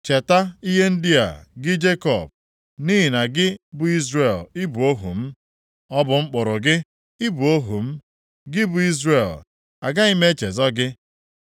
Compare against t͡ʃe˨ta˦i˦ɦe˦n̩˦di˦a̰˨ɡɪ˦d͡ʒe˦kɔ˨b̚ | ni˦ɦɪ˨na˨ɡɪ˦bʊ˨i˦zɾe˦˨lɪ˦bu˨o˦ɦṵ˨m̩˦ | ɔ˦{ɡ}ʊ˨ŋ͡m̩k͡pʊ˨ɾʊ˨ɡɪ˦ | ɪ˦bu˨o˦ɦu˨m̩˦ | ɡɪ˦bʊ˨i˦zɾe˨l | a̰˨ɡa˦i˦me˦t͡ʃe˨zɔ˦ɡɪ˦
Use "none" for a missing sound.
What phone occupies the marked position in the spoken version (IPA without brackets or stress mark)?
b